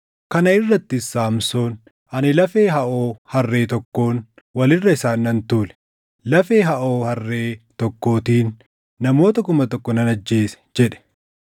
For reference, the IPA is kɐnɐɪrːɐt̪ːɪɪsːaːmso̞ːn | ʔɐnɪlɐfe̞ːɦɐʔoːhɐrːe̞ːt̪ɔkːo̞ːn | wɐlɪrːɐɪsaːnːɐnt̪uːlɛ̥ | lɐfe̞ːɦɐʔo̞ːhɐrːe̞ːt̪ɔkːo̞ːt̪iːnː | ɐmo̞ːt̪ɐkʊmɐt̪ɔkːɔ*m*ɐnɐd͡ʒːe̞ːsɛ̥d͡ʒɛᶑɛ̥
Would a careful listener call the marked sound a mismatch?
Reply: yes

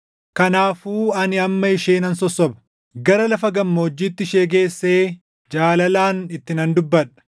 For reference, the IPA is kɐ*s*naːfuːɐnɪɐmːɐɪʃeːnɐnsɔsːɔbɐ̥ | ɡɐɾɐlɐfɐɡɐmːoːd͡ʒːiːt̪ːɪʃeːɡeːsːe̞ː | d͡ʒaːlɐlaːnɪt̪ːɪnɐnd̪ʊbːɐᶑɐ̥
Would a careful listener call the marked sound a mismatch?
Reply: yes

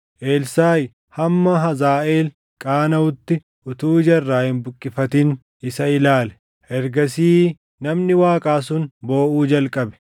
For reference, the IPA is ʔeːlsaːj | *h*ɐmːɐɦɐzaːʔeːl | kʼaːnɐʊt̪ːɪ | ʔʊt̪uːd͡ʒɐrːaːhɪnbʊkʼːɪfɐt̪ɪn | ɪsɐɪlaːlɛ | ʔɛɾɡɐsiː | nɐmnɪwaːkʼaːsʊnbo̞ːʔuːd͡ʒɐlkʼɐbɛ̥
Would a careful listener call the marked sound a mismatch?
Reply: no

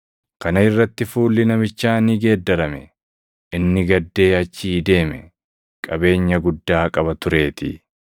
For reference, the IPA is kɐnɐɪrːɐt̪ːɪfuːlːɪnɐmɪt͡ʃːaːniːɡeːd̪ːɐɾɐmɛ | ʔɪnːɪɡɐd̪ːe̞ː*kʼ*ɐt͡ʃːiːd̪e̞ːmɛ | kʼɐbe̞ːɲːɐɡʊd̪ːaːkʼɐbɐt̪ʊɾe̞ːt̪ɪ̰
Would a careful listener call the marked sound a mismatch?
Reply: yes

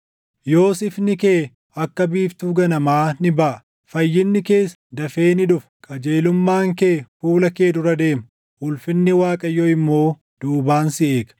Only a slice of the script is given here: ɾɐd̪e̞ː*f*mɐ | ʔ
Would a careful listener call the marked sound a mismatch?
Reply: yes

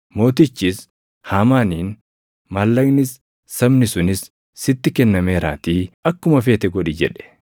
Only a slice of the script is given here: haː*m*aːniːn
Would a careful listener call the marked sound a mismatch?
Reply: no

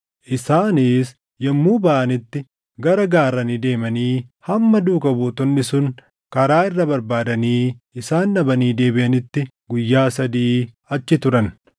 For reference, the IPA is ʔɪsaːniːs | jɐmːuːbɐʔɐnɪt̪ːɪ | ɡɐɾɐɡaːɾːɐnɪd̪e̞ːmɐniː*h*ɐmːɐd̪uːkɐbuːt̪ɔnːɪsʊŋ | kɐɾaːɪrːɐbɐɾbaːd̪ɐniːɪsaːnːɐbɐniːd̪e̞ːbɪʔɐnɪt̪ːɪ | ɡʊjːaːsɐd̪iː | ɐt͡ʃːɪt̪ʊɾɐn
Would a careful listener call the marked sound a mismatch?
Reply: no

